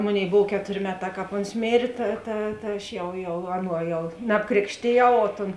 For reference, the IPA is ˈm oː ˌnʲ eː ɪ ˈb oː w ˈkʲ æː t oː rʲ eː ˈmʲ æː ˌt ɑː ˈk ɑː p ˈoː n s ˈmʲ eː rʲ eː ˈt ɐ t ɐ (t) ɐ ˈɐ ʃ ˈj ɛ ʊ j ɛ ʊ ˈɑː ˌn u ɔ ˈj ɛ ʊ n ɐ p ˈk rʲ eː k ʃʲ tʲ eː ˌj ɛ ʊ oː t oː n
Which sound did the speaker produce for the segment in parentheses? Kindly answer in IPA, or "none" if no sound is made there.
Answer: t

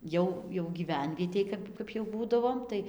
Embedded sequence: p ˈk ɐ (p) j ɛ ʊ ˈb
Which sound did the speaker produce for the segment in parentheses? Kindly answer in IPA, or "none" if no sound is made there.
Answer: p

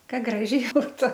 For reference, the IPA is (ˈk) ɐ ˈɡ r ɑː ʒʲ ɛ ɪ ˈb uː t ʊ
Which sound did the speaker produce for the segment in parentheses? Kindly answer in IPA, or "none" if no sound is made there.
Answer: k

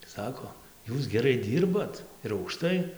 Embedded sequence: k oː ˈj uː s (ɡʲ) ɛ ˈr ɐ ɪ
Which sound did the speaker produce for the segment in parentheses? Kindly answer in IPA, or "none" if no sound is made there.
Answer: ɡʲ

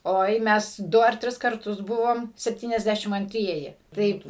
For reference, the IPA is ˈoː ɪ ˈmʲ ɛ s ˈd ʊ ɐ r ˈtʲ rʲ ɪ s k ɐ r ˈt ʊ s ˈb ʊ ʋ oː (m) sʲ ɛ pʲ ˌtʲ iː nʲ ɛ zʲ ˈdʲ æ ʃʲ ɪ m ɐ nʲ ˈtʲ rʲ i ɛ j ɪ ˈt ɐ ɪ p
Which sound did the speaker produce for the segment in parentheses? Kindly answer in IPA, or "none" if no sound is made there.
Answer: m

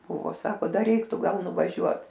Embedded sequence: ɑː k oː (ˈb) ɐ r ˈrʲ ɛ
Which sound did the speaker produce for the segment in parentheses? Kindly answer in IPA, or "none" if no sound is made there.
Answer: d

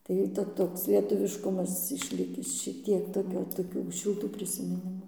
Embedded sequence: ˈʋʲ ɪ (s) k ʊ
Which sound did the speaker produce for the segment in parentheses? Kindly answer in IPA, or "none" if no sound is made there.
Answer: ʃ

